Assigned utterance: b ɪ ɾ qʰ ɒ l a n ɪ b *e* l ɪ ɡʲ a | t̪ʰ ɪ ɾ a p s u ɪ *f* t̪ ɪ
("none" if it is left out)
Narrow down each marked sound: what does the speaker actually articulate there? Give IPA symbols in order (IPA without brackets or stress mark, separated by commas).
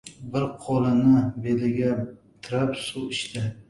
e, ʃ